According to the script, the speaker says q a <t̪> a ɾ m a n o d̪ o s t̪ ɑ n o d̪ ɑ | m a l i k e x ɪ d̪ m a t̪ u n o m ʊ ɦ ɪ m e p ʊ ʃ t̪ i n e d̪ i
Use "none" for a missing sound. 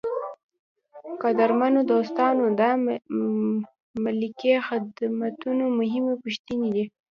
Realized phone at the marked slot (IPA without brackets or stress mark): d̪